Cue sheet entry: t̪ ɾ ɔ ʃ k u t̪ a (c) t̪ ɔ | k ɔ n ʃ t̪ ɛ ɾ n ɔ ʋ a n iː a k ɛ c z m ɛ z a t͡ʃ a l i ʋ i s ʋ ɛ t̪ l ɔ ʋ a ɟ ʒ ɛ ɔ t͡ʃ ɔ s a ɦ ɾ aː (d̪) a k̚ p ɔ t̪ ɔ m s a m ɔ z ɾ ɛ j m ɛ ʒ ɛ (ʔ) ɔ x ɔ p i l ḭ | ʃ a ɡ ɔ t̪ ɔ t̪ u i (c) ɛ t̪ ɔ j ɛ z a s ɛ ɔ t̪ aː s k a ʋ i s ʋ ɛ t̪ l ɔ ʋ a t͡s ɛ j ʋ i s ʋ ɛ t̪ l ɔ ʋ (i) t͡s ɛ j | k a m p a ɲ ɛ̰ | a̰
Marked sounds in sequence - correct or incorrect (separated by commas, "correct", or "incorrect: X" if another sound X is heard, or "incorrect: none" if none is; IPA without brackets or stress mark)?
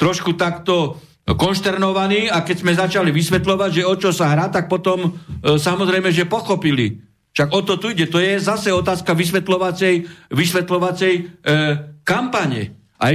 incorrect: k, incorrect: t̪, incorrect: p, incorrect: ɟ, incorrect: a